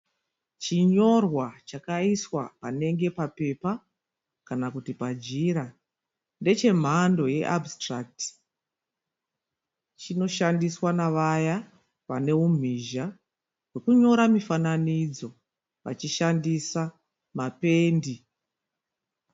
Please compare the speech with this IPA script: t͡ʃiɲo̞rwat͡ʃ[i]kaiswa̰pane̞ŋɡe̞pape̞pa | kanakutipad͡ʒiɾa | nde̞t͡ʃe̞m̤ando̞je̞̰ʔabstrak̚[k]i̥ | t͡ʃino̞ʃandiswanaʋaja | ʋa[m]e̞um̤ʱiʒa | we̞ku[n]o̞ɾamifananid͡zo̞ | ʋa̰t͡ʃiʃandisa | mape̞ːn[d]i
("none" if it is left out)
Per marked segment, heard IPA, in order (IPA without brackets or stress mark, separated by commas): a, t, n, ɲ, d